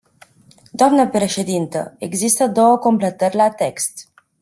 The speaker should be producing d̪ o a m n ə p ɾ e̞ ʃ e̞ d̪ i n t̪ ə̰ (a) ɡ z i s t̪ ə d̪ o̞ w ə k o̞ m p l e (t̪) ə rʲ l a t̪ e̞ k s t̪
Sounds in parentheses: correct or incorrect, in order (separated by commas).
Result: incorrect, correct